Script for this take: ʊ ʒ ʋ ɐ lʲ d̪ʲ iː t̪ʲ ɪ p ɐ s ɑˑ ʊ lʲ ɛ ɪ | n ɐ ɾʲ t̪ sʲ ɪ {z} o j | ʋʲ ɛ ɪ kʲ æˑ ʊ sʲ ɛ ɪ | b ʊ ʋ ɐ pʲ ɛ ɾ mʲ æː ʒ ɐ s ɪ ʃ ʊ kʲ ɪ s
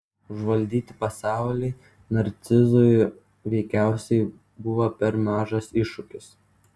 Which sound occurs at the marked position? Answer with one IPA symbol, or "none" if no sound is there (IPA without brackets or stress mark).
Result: z